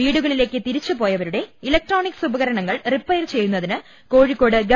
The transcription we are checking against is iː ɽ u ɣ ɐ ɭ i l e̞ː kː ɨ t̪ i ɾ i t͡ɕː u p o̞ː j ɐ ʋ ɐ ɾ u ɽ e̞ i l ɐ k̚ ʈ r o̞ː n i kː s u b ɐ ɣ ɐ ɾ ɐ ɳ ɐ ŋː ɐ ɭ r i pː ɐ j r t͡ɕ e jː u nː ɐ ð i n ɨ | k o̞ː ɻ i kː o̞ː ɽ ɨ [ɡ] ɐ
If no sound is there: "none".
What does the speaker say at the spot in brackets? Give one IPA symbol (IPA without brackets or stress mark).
ɡ